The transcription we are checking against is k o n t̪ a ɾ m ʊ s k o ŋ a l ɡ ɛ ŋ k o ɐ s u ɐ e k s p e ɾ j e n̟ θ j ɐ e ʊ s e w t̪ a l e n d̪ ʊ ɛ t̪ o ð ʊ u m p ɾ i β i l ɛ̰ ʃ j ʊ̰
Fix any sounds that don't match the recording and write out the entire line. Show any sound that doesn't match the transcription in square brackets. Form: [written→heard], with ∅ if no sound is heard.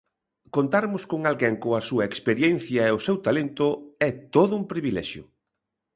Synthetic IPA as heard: k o n t̪ a ɾ m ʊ s k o ŋ a l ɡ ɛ ŋ k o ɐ s u ɐ e k s p e ɾ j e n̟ θ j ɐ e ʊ s e w t̪ a l e n [d̪→t̪] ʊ ɛ t̪ o ð ʊ u m p ɾ i β i l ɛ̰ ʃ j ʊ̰